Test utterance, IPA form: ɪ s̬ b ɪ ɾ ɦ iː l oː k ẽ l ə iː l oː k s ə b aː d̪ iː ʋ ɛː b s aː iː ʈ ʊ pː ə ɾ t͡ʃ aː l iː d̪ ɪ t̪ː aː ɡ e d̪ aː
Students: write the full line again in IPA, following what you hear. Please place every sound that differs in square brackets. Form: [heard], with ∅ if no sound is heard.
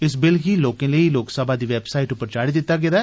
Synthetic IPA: ɪ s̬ b ɪ [l] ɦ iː l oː k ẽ l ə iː l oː k s ə b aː d̪ iː ʋ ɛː b s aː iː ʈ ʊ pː ə ɾ t͡ʃ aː [ɽ] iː d̪ ɪ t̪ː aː ɡ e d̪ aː